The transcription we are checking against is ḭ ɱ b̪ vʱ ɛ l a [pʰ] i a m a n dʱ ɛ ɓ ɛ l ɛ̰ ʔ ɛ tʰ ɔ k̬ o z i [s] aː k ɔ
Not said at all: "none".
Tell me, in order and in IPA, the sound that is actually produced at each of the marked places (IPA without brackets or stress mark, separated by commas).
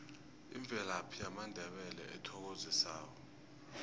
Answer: pʰ, s